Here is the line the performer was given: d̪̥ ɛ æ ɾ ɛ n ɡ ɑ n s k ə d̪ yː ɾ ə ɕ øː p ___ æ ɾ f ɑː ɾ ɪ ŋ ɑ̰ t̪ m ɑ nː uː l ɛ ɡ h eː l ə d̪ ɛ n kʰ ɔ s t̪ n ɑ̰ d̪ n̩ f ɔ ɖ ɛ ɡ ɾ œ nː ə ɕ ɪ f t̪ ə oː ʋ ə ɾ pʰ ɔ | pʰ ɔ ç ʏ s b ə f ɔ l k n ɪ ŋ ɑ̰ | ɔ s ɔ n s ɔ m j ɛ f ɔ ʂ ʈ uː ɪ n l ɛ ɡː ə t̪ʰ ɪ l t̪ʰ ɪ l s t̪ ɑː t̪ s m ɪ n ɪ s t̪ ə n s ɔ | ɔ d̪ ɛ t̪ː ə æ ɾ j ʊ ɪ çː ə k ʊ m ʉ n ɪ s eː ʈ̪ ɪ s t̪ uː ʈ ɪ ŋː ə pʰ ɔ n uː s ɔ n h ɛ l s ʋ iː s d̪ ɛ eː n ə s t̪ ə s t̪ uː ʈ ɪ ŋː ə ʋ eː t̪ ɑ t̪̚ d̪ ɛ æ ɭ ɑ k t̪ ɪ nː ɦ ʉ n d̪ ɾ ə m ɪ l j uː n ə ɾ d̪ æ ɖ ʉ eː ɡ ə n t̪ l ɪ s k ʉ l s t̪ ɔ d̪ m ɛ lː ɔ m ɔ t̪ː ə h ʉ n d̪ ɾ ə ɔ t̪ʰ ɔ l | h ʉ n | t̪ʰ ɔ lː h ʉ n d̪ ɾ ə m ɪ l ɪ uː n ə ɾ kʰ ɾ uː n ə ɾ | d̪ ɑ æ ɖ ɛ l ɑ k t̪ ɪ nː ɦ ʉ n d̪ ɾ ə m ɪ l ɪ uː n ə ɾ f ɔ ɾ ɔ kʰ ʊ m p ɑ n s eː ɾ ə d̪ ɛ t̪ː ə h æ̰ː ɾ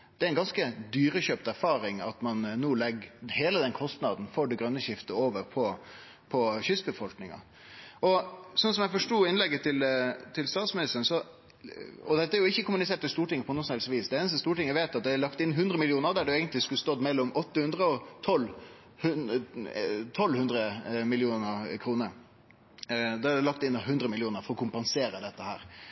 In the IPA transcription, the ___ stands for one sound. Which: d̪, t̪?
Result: t̪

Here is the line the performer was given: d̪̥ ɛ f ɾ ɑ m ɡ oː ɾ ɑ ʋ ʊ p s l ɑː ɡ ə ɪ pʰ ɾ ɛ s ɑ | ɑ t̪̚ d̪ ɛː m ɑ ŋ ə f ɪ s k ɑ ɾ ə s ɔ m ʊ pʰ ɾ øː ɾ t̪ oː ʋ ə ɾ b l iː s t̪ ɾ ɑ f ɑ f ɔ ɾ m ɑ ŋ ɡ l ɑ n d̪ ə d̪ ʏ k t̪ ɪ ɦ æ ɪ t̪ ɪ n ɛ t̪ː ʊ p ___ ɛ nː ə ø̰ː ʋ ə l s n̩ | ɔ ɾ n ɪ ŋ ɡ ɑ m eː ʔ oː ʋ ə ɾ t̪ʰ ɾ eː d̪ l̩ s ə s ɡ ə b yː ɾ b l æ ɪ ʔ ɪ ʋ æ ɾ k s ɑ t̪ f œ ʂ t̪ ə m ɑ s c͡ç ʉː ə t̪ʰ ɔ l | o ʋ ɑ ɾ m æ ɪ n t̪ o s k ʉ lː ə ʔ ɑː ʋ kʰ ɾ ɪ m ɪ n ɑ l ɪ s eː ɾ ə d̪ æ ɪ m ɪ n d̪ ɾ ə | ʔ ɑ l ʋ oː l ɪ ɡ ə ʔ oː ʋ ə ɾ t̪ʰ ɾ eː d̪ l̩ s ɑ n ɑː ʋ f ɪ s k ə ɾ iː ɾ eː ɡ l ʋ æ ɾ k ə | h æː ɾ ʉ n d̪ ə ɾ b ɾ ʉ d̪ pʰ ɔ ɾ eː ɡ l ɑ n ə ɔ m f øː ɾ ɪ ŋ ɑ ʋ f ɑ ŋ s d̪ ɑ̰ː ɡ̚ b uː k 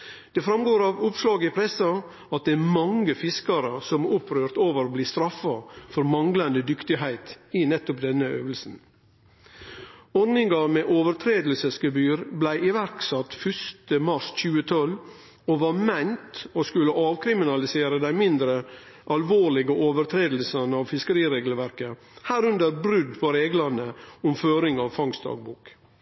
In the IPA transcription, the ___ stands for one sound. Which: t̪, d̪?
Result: d̪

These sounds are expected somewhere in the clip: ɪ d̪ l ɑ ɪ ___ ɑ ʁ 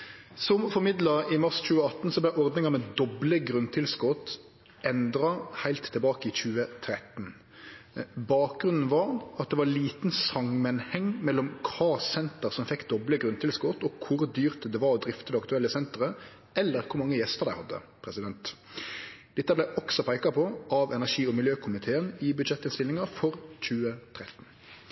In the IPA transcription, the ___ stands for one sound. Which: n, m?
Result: m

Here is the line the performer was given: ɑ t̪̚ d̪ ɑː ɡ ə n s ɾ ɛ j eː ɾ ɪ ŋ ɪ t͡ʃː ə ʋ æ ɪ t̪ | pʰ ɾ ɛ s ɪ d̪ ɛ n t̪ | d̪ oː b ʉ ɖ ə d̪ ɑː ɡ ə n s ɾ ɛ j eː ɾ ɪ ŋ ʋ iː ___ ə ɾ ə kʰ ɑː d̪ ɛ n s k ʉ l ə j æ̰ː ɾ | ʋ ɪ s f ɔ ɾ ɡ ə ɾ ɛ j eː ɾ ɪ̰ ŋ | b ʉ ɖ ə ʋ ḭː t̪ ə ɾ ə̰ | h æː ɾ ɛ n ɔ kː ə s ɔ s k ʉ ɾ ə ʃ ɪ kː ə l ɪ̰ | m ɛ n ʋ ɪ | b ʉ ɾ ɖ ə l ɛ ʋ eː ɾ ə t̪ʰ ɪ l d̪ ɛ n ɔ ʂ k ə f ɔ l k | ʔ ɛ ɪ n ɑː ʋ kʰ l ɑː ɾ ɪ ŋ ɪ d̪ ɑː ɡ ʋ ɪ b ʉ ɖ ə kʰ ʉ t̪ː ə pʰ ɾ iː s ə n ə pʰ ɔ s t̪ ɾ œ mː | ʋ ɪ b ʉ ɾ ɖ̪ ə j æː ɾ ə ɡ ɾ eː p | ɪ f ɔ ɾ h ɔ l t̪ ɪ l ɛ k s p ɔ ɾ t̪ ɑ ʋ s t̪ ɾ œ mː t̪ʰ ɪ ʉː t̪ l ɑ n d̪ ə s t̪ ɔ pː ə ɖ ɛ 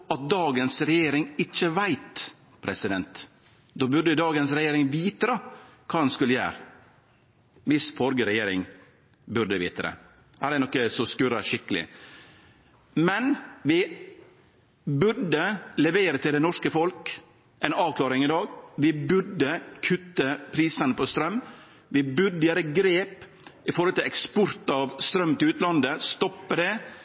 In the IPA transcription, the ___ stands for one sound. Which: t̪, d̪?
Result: t̪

